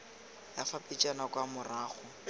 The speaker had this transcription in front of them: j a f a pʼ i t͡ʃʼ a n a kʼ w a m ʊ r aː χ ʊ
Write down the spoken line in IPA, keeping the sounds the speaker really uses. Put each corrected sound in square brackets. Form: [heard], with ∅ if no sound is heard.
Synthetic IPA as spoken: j a f a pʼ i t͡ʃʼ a n a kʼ w a m ʊ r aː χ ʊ